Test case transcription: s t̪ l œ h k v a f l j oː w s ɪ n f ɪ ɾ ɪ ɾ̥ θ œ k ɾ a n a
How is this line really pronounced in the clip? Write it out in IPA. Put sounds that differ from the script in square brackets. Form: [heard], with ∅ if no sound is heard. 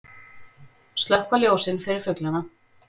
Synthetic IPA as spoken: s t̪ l œ h k v a [∅] l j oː w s ɪ n f ɪ ɾ ɪ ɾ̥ [f] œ k [l] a n a